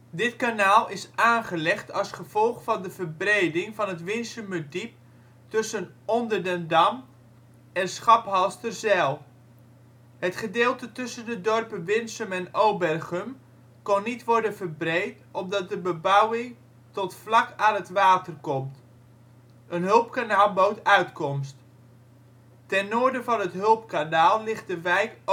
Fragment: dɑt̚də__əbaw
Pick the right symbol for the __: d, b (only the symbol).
b